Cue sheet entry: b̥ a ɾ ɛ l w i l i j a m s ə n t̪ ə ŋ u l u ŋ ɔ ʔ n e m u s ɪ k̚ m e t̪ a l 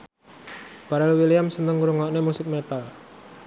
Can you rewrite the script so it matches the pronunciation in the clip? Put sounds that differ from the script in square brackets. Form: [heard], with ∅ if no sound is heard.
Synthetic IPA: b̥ a ɾ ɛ l w i l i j a m s ə n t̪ ə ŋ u [ɾ] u ŋ ɔ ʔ n e m u s ɪ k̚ m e t̪ a l